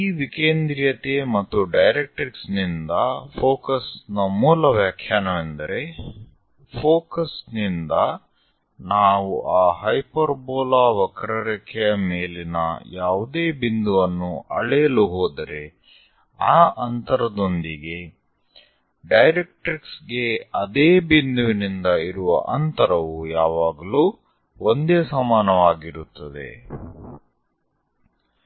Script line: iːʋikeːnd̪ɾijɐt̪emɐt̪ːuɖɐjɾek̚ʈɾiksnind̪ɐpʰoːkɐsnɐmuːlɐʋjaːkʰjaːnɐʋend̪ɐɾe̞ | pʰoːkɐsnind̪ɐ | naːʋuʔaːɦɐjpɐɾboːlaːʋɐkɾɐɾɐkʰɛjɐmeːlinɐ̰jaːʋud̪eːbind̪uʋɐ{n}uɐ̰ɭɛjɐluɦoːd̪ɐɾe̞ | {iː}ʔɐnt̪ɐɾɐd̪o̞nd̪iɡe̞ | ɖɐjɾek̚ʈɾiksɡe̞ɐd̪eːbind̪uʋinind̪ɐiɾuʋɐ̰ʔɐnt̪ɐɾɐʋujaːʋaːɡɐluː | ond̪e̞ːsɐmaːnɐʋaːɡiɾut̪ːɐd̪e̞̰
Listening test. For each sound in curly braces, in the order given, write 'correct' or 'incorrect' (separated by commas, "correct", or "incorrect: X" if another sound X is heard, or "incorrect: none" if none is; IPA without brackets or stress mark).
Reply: incorrect: nː, incorrect: aː